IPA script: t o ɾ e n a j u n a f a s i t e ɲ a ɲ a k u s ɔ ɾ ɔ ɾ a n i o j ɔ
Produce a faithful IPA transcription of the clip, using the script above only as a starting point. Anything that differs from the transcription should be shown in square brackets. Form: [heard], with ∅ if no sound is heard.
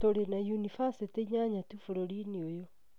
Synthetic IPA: t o ɾ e n a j u n [i] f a s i t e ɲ a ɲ a [t] u [f] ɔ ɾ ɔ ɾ [i] n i o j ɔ